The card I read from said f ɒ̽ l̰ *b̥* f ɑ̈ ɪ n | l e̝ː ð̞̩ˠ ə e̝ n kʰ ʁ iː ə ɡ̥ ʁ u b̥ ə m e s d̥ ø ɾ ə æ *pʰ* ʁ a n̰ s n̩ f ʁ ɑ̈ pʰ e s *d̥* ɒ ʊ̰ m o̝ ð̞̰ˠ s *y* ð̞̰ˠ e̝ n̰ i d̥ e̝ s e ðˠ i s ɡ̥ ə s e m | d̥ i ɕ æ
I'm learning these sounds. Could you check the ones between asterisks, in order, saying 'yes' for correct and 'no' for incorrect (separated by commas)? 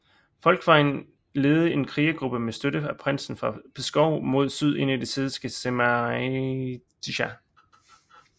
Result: no, yes, no, yes